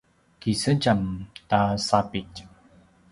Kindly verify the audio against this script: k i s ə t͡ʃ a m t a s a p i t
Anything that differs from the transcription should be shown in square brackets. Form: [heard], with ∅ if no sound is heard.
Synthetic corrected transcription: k i s ə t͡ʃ a m t a s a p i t

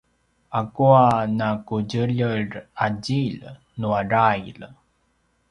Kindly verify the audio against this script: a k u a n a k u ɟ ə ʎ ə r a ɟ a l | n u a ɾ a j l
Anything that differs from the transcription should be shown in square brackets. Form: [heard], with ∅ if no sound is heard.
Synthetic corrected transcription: a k u a n a k u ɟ ə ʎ ə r a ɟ [i] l | n u a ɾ a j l

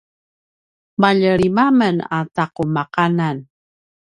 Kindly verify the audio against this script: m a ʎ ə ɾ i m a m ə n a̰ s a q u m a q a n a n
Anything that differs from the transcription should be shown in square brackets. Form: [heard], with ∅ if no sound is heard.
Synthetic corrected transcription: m a ʎ ə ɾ i m a m ə n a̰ [t] a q u m a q a n a n

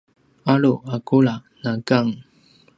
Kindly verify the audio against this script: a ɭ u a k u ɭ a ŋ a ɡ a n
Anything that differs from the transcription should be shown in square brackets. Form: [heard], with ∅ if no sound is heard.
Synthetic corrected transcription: a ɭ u a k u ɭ a [n] a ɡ a [ŋ]

